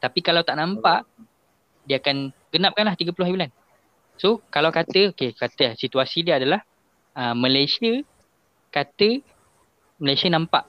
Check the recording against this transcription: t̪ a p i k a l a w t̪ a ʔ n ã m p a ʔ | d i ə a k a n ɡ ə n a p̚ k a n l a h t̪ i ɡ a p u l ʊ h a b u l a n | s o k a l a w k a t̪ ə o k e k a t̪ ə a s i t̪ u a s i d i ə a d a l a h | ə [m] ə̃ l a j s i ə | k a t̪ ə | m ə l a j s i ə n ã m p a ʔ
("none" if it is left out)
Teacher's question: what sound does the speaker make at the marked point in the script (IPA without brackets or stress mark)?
m